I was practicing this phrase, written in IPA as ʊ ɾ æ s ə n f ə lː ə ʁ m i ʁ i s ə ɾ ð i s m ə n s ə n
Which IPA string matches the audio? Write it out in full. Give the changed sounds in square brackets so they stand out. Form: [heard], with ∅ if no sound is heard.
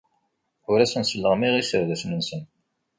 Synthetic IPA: ʊ ɾ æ s ə n [s] ə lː ə ʁ m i ʁ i s ə ɾ ð [æ] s [n] ə n s ə n